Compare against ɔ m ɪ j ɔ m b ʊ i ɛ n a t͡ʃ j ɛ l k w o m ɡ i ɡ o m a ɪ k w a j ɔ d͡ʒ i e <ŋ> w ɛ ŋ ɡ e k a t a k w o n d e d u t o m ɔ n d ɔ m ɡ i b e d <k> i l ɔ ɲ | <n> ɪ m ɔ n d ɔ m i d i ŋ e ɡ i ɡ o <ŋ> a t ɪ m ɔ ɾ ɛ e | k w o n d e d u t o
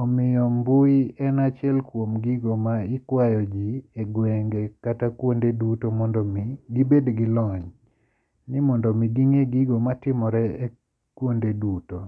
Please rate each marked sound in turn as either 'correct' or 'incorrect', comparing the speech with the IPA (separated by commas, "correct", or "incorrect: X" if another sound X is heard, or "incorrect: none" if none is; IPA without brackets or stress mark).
incorrect: ɡ, incorrect: ɡ, correct, incorrect: m